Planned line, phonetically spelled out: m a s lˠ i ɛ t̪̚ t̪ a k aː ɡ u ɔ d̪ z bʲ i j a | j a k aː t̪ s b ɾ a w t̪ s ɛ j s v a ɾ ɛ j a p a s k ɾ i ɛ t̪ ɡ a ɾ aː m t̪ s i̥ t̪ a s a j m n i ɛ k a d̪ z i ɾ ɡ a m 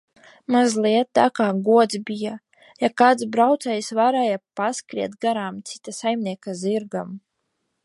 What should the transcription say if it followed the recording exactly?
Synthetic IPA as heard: m a z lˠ i ɛ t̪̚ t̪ a k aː ɡ u ɔ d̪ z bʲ i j a | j a k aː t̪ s b ɾ a w t̪ s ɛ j s v a ɾ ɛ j a p a s k ɾ i ɛ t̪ ɡ a ɾ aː m t̪ s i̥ t̪ a s a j m n i ɛ k a z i ɾ ɡ a m